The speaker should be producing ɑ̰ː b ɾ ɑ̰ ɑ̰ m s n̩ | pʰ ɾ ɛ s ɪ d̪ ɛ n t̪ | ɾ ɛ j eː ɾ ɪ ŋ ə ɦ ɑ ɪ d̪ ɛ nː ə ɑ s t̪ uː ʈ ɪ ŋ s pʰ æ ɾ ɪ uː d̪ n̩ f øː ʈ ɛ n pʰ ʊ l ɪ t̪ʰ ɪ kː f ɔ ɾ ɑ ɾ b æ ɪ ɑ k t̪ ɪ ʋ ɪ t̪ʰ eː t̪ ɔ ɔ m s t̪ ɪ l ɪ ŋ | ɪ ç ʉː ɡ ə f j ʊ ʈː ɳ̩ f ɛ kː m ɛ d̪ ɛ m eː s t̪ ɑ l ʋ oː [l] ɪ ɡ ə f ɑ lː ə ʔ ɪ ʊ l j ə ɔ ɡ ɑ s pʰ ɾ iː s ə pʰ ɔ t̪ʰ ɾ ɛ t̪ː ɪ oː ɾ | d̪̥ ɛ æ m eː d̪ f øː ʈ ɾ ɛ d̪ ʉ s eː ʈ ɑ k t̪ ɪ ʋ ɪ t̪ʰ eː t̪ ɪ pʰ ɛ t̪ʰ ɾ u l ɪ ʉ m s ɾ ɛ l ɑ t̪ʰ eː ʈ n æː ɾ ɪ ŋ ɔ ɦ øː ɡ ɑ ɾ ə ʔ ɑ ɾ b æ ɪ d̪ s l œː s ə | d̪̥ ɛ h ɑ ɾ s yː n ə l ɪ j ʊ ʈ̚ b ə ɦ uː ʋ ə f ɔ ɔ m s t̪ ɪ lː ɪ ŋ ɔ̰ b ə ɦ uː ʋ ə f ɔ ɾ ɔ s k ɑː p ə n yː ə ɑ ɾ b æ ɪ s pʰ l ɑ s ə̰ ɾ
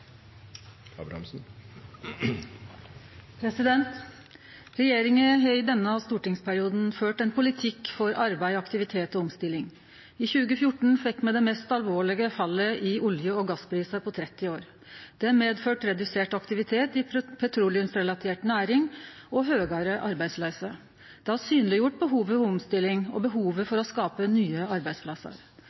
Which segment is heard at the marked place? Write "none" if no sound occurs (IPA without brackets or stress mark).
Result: ɭ